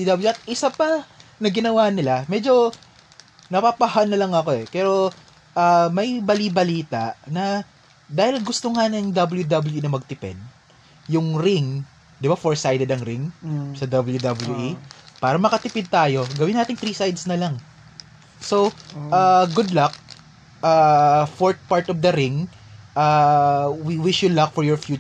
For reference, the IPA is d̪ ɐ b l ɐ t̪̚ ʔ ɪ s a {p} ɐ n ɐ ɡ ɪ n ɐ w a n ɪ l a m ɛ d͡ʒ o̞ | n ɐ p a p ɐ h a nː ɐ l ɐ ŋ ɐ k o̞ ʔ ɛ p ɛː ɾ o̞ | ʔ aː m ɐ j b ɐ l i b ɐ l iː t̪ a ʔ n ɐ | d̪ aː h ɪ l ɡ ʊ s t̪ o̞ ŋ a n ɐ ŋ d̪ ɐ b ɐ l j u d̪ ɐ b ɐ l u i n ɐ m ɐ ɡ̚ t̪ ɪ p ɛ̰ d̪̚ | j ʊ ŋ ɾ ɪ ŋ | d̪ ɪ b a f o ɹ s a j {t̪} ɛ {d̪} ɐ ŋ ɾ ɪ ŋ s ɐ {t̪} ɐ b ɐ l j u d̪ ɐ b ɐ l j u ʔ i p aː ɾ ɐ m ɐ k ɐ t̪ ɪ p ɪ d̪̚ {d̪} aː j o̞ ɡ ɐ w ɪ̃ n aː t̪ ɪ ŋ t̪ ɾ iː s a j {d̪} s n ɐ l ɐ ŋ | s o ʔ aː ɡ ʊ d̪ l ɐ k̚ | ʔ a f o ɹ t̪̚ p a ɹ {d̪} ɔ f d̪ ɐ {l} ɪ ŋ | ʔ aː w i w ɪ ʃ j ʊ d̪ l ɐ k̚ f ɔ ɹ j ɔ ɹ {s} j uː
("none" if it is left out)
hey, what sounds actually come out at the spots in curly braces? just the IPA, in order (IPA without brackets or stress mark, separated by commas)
p, d̪, d̪, d̪, t̪, d̪, t̪, ɾ, f